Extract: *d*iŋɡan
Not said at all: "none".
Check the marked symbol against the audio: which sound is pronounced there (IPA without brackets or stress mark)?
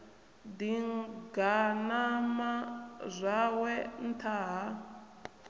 d